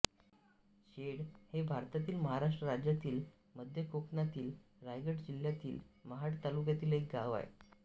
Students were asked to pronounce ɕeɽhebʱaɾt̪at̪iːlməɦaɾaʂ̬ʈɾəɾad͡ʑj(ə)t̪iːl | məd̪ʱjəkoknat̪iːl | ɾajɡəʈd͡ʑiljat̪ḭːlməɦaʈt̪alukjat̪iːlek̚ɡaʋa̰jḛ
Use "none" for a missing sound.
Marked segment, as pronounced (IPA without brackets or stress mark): a